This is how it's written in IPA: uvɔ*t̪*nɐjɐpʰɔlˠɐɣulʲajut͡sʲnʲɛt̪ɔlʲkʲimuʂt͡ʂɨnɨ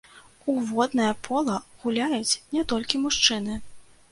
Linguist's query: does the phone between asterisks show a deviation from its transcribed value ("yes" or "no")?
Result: yes